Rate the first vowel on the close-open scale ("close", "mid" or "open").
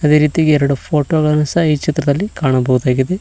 open